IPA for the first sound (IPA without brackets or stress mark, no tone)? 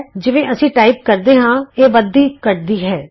d͡ʒ